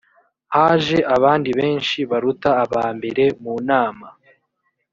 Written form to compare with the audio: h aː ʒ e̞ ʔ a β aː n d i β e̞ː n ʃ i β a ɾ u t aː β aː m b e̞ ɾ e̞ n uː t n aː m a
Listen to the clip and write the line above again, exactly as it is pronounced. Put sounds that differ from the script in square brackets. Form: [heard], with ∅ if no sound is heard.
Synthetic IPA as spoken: h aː ʒ e̞ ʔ a β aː n d i β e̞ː n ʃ i β a ɾ u t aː β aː m b e̞ ɾ e̞ [m] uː [∅] n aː m a